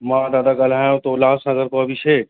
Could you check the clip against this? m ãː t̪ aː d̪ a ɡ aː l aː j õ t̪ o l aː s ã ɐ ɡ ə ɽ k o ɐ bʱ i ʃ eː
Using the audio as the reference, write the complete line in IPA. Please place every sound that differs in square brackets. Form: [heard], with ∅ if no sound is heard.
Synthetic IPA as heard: m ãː [d̪] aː d̪ a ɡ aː l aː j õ t̪ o l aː s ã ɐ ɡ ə [ɾ] k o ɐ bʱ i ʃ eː